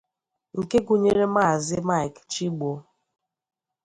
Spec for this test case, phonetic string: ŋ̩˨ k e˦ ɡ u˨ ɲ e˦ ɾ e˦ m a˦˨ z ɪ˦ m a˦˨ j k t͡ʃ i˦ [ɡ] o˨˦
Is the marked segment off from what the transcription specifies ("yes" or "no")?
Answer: yes